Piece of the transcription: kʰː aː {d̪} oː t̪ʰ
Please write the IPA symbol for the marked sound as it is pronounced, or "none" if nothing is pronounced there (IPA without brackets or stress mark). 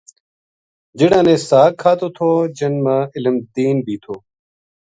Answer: t̪